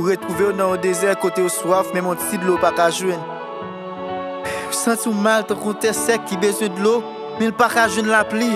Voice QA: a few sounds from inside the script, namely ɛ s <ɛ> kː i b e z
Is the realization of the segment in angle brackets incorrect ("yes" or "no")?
no